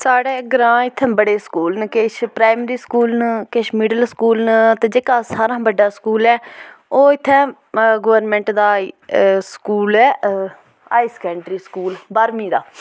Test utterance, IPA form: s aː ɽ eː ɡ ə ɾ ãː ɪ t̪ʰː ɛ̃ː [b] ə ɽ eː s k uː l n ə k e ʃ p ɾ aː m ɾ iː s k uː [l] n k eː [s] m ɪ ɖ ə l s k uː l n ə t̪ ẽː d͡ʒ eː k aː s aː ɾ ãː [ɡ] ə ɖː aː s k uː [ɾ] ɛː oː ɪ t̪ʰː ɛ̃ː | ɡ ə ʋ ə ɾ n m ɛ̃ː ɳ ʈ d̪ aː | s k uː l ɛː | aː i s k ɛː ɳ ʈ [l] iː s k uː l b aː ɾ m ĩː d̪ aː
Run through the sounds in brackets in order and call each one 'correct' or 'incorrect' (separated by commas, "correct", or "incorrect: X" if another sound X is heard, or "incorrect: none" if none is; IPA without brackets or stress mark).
correct, correct, incorrect: ʃ, incorrect: b, incorrect: l, incorrect: ɾ